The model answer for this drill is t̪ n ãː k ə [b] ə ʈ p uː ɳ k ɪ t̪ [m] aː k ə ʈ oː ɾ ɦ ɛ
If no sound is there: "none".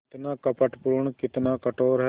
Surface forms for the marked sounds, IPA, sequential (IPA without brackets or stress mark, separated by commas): p, n